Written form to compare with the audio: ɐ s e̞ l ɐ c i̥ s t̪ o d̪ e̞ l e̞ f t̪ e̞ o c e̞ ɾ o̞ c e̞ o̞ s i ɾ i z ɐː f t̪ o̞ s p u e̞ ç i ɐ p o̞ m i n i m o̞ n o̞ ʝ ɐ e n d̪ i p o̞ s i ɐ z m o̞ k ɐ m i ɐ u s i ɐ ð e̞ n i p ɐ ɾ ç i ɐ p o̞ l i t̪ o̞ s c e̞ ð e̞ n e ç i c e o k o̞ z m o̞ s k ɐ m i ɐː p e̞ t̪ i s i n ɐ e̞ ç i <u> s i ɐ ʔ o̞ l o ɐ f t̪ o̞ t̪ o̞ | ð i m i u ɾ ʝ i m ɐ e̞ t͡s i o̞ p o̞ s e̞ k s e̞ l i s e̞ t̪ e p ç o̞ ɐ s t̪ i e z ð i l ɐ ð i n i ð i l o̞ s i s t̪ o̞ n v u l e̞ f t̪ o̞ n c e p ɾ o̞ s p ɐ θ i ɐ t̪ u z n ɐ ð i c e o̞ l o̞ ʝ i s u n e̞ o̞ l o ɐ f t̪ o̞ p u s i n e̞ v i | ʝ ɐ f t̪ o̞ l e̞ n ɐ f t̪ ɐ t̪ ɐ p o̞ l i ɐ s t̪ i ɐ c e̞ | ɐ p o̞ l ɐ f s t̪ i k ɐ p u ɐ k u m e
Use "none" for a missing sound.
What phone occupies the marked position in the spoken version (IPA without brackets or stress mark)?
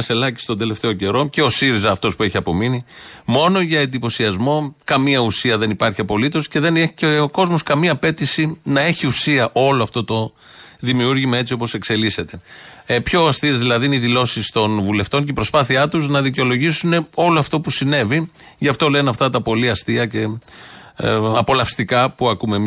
u